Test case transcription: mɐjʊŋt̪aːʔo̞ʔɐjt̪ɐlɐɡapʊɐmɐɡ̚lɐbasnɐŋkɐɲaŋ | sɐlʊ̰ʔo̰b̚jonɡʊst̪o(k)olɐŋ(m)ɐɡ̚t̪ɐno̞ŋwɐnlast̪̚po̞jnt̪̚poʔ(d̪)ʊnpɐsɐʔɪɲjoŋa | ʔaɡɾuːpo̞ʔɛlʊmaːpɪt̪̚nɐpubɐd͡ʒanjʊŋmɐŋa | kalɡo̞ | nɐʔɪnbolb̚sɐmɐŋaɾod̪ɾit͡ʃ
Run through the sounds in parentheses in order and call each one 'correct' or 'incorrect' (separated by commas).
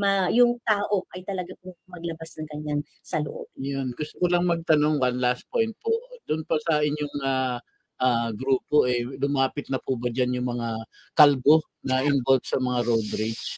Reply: correct, correct, correct